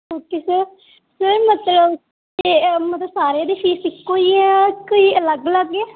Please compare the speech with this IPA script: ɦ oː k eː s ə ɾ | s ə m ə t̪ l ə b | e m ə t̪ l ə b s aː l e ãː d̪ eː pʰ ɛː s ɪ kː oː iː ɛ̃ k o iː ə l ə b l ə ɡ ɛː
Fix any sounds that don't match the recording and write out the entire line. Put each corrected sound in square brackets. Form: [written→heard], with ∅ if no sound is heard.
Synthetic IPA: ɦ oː k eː s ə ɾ | s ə m ə t̪ l ə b | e m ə t̪ l ə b s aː [l→ɾ] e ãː d̪ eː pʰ [ɛː→iː] s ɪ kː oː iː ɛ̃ k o iː ə l ə [b→ɡ] l ə ɡ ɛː